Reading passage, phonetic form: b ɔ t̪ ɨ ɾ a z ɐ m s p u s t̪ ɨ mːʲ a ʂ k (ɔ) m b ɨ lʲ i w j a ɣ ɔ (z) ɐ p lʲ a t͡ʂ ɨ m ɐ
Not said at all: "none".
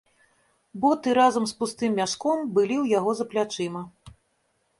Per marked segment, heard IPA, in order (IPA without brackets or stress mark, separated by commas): ɔ, z